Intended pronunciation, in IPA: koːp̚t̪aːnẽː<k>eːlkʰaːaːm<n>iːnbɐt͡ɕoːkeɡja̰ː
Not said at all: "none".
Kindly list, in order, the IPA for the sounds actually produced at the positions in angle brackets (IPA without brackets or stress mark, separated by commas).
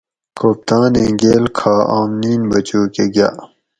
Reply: ɡ, n